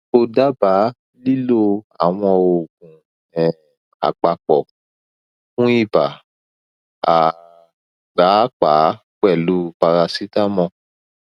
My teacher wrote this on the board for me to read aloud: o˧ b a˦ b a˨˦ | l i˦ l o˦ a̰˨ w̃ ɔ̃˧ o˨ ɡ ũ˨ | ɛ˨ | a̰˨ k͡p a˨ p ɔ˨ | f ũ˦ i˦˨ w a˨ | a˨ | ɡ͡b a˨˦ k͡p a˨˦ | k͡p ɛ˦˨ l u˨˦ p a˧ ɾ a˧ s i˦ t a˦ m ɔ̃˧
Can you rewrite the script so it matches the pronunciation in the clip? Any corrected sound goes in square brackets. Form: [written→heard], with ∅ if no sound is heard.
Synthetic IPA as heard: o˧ [b→d] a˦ b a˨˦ | l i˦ l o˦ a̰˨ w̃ ɔ̃˧ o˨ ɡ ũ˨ | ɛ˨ | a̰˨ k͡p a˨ [p→k͡p] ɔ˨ | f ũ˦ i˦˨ [w→b] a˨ | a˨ | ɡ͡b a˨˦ k͡p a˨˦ | k͡p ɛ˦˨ l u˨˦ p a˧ ɾ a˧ s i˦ t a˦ m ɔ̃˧